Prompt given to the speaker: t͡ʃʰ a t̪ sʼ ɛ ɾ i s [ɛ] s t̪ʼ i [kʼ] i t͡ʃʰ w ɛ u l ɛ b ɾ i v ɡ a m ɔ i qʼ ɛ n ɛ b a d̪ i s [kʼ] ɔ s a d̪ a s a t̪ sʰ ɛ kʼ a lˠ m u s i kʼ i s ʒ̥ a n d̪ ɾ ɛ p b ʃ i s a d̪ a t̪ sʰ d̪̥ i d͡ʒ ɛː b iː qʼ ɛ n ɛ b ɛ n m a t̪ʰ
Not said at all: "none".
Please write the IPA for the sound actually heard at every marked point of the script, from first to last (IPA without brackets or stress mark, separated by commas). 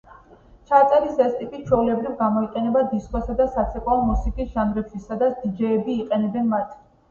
ɛ, pʼ, kʼ